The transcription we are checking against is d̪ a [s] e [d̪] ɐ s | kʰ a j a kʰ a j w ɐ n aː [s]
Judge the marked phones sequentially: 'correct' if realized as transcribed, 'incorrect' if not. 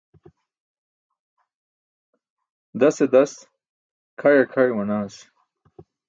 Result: correct, correct, correct

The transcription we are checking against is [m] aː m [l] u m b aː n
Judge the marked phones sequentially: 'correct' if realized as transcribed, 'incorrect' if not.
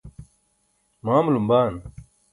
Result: correct, correct

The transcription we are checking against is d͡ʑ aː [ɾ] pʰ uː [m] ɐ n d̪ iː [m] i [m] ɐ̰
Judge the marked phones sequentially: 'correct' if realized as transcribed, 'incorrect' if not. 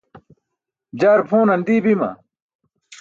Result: correct, incorrect, incorrect, correct

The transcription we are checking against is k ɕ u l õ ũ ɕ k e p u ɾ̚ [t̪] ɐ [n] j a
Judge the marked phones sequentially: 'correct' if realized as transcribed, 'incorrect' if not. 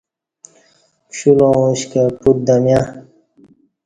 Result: incorrect, incorrect

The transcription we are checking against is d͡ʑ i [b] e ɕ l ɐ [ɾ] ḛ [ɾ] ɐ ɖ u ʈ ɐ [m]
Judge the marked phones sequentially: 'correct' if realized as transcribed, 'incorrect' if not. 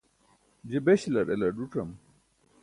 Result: correct, correct, incorrect, correct

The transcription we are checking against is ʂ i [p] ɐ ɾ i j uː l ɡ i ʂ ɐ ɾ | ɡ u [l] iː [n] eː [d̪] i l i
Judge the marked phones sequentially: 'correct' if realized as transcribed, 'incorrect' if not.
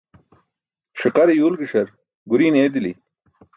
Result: incorrect, incorrect, correct, correct

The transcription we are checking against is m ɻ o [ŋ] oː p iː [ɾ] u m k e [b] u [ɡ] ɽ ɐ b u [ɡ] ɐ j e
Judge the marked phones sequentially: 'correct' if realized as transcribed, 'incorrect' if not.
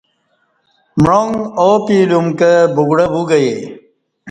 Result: correct, incorrect, correct, correct, correct

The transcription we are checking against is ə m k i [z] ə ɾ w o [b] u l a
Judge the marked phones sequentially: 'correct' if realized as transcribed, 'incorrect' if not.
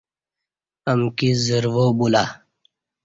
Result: correct, correct

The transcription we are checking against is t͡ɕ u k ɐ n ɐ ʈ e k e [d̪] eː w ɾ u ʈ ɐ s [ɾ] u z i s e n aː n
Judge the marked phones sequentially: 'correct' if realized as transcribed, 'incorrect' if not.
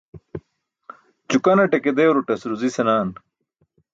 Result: correct, correct

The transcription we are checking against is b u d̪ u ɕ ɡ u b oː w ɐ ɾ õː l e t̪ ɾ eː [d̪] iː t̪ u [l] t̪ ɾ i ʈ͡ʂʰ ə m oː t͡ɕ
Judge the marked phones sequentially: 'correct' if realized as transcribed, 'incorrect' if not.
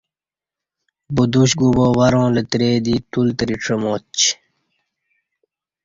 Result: correct, correct

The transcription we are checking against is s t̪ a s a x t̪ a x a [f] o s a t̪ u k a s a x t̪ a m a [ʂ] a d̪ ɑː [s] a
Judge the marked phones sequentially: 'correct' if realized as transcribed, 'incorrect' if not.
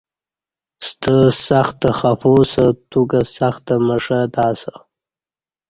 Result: correct, correct, correct

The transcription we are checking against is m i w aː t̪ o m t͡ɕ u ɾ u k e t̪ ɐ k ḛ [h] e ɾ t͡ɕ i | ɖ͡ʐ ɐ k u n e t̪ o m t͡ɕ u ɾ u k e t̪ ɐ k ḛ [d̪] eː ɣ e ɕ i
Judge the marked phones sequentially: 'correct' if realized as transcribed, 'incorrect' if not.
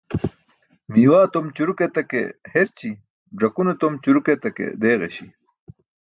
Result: correct, correct

